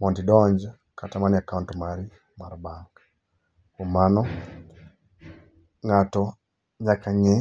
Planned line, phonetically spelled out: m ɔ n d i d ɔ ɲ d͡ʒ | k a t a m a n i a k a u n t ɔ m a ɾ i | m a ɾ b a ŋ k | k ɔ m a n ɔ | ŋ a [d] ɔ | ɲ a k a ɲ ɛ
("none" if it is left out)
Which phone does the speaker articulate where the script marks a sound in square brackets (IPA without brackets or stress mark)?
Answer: t